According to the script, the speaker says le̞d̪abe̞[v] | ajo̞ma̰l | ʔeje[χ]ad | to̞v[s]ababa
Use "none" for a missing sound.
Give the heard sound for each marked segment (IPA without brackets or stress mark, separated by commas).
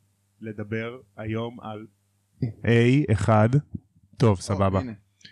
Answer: ʁ, χ, s